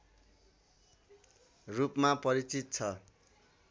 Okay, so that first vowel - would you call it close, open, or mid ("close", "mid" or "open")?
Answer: close